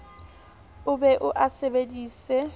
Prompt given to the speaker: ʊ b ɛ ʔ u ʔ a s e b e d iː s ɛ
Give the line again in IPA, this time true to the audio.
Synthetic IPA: ʊ b ɛ ʔ ʊ ʔ a s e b e d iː s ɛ